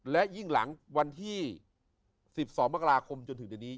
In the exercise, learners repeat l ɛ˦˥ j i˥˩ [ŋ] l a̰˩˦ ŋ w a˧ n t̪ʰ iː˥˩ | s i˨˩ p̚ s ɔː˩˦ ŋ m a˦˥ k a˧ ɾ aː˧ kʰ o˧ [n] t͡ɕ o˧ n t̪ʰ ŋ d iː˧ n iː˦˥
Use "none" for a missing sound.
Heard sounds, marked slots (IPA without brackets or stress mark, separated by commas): ŋ, m